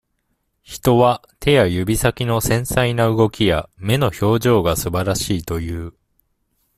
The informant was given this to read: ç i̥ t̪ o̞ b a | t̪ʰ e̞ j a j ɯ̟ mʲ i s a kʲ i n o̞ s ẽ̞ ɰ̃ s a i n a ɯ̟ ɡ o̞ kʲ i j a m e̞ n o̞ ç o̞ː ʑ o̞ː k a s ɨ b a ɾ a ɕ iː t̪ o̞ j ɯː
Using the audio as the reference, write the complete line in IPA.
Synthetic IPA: ç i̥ t̪ o̞ β a | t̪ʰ e̞ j a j ɯ̟ bʲ i s a kʲ i n o̞ s ẽ̞ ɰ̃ s a i n a ɯ̟ ɡ o̞ kʲ i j a m e̞ n o̞ ç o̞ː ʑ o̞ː ɡ a s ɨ b a ɾ a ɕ iː t̪ o̞ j ɯː